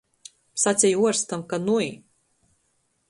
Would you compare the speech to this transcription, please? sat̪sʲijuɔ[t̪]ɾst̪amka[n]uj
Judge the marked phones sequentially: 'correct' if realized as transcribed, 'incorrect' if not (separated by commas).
incorrect, correct